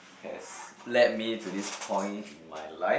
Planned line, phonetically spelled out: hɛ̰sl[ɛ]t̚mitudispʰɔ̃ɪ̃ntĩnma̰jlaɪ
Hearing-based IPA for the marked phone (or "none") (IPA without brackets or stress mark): ɛ